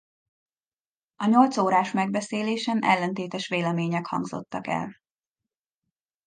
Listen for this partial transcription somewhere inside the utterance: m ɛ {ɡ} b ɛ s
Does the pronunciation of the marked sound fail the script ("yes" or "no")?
no